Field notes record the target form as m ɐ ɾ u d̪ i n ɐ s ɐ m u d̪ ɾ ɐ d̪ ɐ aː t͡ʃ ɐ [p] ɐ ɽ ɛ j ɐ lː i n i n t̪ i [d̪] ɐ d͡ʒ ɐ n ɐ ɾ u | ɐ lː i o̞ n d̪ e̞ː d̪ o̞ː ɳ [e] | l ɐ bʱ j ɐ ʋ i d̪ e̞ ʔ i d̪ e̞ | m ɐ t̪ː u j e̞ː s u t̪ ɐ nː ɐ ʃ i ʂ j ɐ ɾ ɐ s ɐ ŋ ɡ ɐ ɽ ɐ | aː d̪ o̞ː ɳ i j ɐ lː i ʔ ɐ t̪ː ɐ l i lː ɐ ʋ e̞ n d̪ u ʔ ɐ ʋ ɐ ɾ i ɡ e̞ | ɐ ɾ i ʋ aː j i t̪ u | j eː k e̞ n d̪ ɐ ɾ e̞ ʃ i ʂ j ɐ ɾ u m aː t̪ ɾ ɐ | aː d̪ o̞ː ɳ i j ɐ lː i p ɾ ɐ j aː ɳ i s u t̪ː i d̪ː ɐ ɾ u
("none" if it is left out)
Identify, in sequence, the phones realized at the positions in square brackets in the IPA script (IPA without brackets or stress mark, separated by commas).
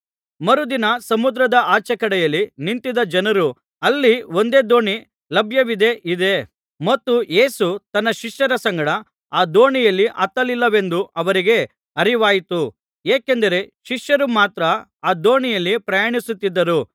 k, d̪, i